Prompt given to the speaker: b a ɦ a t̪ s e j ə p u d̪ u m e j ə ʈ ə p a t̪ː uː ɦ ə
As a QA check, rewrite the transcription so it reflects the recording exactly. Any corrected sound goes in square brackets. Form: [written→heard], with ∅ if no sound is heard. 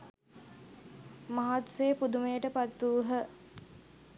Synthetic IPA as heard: [b→m] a ɦ a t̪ s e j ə p u d̪ u m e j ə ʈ ə p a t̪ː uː ɦ ə